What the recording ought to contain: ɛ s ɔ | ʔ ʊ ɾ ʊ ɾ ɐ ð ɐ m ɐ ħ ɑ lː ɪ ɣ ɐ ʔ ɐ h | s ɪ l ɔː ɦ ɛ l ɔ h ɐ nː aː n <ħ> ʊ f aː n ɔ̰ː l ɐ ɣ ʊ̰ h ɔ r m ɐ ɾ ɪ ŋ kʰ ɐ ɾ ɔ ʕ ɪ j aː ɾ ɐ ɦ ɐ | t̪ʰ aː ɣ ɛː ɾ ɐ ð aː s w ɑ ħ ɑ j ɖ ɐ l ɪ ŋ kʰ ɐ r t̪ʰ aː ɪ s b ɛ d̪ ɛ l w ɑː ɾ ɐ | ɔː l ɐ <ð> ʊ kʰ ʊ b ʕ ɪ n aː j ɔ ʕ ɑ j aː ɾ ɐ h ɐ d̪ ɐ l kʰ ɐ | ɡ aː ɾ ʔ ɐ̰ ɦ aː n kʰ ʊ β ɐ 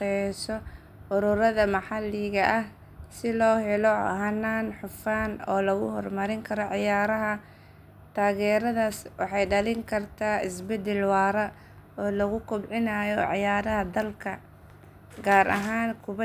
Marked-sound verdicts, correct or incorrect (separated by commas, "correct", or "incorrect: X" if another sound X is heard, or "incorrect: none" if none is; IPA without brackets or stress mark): correct, incorrect: ɣ